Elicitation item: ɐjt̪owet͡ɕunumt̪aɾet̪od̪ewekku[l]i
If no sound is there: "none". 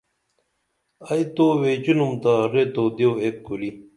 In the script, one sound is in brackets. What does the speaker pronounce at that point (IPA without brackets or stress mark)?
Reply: l